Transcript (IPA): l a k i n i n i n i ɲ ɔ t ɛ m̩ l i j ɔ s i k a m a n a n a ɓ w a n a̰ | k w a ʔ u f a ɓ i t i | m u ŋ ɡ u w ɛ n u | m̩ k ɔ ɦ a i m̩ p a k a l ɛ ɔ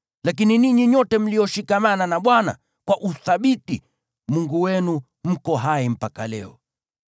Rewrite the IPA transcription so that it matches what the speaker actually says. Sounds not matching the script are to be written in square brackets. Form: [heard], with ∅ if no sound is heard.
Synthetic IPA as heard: l a k i n i n i [ɲ] i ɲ ɔ t ɛ m̩ l i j ɔ [ʃ] i k a m a n a n a ɓ w a n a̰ | k w a ʔ u [θ] a ɓ i t i | m u ŋ ɡ u w ɛ n u | m̩ k ɔ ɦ a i m̩ p a k a l ɛ ɔ